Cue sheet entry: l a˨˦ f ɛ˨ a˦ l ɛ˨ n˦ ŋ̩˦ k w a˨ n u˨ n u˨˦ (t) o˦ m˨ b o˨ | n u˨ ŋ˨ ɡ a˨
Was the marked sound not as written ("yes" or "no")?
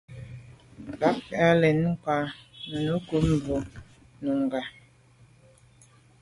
yes